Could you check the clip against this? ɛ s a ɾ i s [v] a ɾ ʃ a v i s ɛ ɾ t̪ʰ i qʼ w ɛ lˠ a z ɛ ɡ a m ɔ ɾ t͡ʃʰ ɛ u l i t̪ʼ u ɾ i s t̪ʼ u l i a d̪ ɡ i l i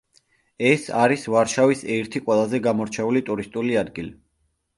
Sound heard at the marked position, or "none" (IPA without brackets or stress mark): v